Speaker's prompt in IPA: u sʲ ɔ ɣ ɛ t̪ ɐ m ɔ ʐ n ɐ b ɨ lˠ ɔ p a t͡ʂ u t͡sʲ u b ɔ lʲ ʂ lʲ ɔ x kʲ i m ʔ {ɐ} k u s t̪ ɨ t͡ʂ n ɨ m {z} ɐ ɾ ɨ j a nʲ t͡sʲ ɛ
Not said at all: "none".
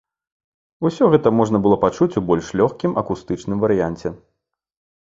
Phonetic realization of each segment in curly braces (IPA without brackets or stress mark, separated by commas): ɐ, v